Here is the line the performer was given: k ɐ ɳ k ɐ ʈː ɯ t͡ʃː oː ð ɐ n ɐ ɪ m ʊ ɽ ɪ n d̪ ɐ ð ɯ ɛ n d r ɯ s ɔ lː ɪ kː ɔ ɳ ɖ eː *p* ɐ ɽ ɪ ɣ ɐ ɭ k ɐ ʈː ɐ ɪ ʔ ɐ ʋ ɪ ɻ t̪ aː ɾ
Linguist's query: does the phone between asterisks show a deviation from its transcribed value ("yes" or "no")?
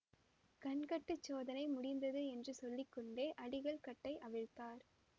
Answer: yes